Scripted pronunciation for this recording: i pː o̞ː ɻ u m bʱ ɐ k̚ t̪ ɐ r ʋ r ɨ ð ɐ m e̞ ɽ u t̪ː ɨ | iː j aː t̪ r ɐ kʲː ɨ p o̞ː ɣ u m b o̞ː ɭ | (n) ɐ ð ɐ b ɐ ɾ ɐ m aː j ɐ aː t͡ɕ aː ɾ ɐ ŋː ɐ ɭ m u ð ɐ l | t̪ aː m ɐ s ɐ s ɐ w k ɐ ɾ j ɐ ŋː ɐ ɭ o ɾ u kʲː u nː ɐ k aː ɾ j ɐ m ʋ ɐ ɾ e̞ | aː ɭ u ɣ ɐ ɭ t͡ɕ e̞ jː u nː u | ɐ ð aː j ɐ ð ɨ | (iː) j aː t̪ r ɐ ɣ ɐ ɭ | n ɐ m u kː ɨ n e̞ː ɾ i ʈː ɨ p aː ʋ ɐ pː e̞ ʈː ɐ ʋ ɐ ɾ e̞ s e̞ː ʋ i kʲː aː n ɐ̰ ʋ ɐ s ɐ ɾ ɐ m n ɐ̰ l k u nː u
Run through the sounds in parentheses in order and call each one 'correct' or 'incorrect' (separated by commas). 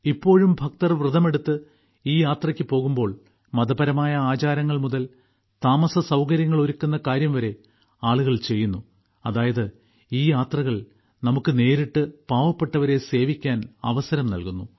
incorrect, correct